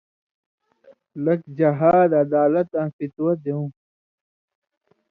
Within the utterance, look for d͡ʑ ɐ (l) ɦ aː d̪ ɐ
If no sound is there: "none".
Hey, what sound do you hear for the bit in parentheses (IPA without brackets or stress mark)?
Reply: none